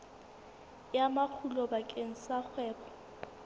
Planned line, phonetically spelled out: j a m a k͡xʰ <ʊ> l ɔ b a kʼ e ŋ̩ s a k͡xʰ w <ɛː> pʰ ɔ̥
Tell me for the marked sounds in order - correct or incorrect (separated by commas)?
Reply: incorrect, correct